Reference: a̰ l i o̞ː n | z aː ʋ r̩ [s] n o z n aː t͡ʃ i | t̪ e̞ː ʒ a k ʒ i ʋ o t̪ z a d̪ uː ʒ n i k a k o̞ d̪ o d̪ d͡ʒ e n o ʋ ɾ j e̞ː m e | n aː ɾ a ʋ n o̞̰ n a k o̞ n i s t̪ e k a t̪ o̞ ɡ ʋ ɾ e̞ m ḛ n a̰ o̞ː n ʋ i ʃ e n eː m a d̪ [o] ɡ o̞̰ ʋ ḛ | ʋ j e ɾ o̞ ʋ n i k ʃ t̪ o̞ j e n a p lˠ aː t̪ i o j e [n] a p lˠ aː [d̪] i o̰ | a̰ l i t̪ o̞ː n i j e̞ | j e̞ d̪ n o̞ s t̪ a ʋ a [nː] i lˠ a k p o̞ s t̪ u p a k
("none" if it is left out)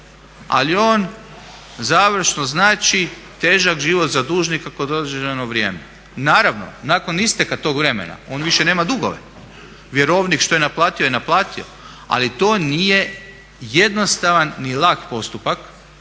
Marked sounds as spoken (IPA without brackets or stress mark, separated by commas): ʃ, u, n, t̪, nː